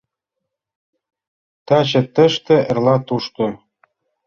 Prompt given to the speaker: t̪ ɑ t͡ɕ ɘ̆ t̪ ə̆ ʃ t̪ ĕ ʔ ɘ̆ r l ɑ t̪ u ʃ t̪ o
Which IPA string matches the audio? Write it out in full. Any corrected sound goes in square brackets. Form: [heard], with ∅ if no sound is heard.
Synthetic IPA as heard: t̪ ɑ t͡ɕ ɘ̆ t̪ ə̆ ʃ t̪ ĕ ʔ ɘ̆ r l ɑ t̪ u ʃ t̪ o